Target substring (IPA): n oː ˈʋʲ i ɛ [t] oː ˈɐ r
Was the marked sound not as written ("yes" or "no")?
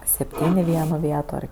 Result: no